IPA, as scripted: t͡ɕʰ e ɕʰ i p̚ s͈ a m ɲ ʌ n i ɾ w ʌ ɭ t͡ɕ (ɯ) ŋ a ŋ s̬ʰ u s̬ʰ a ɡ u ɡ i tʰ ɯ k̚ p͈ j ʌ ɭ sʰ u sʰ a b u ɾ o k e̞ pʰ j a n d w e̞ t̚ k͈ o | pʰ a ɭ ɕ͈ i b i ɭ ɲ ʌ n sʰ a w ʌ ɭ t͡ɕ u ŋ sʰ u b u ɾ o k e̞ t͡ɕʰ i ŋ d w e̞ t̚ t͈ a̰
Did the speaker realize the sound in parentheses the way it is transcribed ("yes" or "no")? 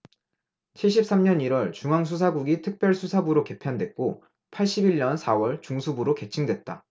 no